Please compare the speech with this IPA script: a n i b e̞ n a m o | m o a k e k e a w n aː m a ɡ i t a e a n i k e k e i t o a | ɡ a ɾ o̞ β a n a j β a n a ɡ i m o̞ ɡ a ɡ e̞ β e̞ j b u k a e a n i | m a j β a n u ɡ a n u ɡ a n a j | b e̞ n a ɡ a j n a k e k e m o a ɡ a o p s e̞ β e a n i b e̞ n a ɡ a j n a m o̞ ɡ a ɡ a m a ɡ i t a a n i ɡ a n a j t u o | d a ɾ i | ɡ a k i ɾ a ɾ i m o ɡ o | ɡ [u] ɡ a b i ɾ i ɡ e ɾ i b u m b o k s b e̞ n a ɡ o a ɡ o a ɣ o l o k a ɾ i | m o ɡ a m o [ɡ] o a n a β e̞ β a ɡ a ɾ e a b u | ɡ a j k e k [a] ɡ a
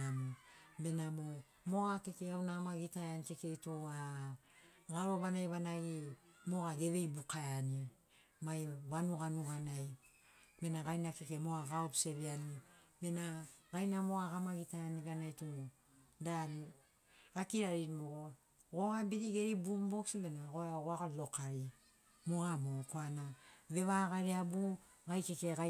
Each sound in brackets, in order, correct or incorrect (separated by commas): incorrect, incorrect, incorrect